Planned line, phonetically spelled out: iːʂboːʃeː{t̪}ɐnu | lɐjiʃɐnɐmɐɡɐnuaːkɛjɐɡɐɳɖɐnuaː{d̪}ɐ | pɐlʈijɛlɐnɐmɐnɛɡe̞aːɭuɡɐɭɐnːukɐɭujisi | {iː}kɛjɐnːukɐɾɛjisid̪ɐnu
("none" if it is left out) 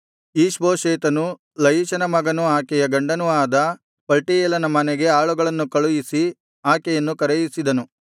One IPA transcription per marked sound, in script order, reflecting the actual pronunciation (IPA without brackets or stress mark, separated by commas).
t̪, d̪, aː